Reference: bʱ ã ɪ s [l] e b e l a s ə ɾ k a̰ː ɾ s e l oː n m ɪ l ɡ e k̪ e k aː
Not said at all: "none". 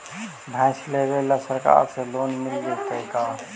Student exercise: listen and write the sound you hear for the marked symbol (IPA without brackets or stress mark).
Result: l